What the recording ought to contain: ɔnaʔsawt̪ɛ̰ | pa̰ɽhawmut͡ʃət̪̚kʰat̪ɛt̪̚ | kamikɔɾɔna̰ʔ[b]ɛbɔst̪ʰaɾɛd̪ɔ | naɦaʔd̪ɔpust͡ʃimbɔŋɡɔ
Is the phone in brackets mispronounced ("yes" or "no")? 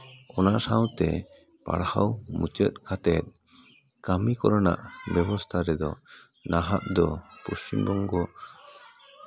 no